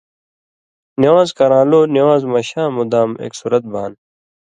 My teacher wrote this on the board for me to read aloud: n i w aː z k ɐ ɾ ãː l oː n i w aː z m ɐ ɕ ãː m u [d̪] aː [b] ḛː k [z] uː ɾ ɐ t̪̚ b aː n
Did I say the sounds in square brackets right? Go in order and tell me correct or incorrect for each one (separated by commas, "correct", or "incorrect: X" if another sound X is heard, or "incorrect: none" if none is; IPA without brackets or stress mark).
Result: correct, incorrect: m, incorrect: s